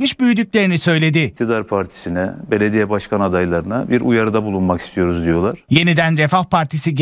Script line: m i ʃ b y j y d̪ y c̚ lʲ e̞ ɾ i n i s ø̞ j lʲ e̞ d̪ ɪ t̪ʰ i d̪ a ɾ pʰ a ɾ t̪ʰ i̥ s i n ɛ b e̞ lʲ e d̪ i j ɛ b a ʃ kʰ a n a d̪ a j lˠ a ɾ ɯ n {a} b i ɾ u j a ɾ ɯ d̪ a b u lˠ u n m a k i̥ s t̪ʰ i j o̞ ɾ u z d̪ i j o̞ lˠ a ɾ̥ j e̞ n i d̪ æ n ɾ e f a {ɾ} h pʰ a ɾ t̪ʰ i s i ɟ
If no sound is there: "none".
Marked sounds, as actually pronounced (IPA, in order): a, none

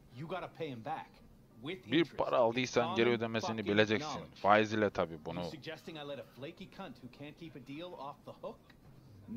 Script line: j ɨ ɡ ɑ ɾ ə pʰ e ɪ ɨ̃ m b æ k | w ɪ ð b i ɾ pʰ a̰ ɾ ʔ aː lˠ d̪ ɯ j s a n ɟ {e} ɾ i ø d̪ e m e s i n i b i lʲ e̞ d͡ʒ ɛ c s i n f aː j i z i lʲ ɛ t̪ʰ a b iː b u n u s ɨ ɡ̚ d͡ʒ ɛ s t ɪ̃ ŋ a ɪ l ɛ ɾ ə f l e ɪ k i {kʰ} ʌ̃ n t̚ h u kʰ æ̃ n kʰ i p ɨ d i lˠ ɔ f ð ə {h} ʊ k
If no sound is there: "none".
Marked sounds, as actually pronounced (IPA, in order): e, kʰ, h

